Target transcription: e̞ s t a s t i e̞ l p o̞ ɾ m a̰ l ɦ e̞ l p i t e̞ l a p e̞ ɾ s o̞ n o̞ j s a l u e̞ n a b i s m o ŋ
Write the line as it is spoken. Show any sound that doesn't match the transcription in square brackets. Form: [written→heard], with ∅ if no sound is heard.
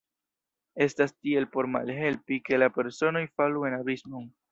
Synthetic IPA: e̞ s t a s t i e̞ l p o̞ ɾ m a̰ l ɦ e̞ l p i [t→k] e̞ l a p e̞ ɾ s o̞ n o̞ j [s→f] a l u e̞ n a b i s m o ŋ